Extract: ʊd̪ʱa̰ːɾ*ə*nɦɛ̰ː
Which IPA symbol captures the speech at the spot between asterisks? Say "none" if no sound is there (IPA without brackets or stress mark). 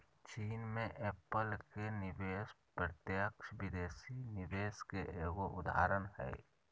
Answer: ə